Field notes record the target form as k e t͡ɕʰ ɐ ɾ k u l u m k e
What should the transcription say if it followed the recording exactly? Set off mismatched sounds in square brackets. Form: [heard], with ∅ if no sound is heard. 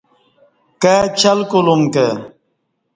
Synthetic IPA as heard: k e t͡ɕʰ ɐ [l] k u l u m k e